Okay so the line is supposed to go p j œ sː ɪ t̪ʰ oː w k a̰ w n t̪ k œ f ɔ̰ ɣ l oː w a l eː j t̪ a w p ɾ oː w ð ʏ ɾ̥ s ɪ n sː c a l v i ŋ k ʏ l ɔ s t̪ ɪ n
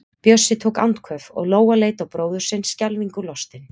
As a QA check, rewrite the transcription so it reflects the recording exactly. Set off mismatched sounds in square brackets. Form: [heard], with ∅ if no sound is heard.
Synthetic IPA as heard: p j œ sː ɪ t̪ʰ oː w k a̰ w n t̪ [kʰ] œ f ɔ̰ ɣ l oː w a l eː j t̪ a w p ɾ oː w ð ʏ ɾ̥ s ɪ n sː c a l v i ŋ k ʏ l ɔ s t̪ ɪ n